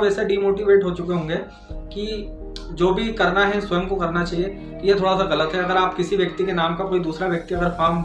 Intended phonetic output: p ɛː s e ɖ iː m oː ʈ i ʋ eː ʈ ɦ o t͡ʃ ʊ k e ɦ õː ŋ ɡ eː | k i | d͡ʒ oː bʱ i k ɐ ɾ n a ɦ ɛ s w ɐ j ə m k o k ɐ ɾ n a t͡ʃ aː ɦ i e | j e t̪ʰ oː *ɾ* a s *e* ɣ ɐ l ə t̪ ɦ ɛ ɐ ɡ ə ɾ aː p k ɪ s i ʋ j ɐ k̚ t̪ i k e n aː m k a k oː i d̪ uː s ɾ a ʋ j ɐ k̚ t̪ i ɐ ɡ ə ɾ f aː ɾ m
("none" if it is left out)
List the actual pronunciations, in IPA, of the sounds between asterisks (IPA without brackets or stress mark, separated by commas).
ɽ, a